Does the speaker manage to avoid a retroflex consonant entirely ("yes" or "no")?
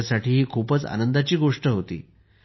no